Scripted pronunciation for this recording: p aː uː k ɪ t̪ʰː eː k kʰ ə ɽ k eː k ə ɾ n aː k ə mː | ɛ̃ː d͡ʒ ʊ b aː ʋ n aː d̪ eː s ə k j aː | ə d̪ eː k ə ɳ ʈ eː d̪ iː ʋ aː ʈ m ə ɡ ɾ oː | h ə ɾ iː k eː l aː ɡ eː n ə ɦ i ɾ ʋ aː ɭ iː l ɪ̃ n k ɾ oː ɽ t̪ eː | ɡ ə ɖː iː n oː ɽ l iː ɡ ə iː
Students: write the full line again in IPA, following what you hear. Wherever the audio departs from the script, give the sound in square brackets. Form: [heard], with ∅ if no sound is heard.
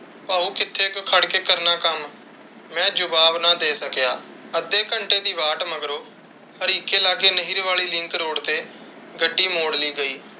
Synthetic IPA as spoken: p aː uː k ɪ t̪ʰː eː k kʰ ə ɽ k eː k ə ɾ n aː k ə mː | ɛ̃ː d͡ʒ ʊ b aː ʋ n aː d̪ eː s ə k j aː | ə d̪ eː k ə ɳ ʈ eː d̪ iː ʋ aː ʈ m ə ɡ ɾ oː | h ə ɾ iː k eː l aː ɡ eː n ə ɦ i ɾ ʋ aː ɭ iː l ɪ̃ [ŋ] k ɾ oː ɽ t̪ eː | ɡ ə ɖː iː [m] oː ɽ l iː ɡ ə iː